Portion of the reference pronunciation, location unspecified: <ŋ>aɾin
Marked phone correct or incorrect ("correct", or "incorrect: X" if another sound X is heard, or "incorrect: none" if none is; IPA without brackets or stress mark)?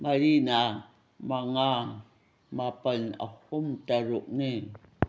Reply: incorrect: m